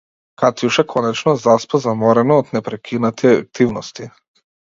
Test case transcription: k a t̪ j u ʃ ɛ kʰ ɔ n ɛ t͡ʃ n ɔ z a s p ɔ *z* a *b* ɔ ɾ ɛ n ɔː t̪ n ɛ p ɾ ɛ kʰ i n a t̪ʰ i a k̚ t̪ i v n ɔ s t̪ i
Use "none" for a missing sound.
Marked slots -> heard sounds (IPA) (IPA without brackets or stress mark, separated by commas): z, m